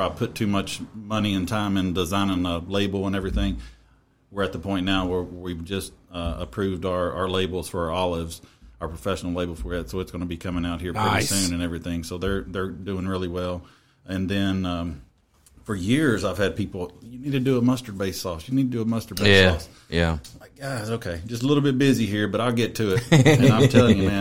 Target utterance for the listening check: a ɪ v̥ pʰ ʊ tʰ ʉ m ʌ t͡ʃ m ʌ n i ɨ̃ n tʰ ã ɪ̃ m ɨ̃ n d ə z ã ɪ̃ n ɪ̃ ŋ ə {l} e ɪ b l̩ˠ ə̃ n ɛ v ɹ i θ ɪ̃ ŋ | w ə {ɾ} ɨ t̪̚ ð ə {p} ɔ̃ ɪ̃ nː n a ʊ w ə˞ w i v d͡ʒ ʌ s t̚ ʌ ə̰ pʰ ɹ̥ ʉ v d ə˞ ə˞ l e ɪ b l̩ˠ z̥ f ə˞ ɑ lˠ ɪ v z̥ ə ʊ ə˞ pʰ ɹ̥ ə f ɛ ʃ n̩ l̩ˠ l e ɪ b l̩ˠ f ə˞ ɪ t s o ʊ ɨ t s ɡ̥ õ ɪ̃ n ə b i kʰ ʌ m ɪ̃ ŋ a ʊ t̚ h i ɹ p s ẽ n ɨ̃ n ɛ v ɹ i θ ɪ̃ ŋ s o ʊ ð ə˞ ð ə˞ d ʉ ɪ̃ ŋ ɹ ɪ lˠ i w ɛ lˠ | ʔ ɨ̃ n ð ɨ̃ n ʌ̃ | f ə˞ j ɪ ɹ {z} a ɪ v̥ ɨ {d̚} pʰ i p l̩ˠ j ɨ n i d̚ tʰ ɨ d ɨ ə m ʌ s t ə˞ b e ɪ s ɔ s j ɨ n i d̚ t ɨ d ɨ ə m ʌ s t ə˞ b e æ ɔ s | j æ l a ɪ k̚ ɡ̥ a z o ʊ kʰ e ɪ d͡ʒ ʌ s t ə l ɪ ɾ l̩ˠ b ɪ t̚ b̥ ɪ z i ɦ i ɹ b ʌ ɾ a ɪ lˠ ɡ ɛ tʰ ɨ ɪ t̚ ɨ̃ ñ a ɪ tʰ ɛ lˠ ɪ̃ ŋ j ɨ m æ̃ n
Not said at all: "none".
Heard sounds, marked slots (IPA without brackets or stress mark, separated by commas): l, ɹ, pʰ, z, d̚